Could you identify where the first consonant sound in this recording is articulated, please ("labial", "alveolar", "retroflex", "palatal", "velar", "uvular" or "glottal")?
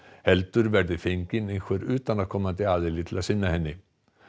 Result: glottal